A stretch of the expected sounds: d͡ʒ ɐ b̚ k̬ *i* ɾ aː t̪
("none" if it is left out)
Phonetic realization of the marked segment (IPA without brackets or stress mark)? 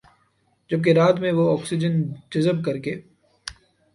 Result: e